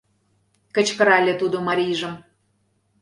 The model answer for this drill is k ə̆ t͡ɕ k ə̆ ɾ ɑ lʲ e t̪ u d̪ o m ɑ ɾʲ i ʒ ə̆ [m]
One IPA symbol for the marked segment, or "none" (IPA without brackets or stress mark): m